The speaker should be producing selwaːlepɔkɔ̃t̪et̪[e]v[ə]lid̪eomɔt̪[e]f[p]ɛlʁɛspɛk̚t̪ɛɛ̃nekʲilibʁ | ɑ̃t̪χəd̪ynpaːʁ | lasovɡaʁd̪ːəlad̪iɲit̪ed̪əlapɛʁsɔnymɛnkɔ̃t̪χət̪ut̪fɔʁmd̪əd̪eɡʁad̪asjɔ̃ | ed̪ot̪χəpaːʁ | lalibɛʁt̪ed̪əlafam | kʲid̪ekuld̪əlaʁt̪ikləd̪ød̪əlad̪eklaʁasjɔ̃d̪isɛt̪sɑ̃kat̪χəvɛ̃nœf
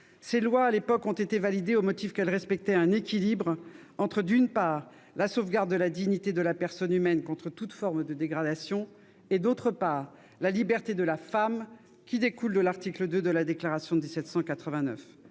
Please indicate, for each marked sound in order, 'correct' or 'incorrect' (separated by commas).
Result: correct, incorrect, incorrect, incorrect